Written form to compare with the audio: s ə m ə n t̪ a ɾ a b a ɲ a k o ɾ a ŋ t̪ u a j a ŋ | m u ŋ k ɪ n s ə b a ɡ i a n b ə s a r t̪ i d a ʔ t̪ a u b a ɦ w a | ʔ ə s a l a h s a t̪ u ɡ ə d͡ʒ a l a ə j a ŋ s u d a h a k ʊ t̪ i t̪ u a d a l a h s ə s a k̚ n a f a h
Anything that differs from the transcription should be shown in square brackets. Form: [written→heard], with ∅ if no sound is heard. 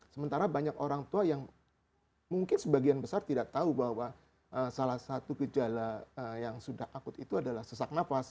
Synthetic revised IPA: s ə m ə n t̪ a ɾ a b a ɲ a k o ɾ a ŋ t̪ u a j a ŋ | m u ŋ k ɪ n s ə b a ɡ i a n b ə s a r t̪ i d a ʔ t̪ a u b a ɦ w a | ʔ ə s a l a h s a t̪ u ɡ ə d͡ʒ a l a ə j a ŋ s u d a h a k ʊ t̪ i t̪ u a d a l a h s ə s a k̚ n a f a [h→s]